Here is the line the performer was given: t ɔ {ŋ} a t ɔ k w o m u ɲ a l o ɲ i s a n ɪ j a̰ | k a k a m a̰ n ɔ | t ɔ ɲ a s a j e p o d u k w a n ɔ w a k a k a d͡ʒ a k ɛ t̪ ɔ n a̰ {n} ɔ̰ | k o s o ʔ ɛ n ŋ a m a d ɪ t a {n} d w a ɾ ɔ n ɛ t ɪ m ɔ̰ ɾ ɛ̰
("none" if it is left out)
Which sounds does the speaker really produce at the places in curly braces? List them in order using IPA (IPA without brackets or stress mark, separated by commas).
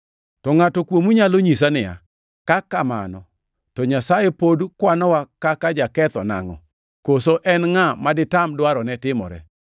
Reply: ŋ, ŋ, m